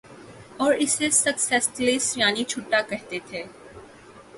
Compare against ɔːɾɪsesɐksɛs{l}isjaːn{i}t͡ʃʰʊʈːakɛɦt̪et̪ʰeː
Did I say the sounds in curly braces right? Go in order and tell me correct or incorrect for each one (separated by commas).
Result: correct, correct